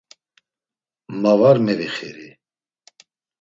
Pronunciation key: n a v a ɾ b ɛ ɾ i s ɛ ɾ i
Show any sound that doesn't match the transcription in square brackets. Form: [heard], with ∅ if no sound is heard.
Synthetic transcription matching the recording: [m] a v a ɾ [m] ɛ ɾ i [χ] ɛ ɾ i